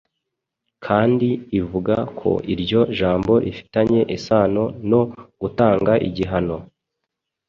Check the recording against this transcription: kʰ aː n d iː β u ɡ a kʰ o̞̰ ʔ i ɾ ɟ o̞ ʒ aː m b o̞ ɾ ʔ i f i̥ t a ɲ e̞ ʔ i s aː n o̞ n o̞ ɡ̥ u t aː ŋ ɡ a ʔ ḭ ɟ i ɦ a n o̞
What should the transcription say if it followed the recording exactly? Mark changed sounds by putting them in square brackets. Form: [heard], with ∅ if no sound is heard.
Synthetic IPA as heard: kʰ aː n d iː [v] u ɡ a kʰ o̞̰ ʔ i ɾ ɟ o̞ ʒ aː m b o̞ ɾ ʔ i f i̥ t a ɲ e̞ ʔ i s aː n o̞ n o̞ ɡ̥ u t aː ŋ ɡ a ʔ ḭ ɟ i ɦ a n o̞